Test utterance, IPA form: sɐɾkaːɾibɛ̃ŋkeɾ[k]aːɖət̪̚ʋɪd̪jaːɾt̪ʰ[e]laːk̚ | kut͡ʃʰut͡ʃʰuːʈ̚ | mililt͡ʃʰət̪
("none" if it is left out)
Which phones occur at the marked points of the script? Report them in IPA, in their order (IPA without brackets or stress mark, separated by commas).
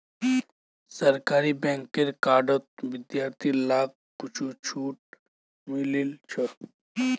k, i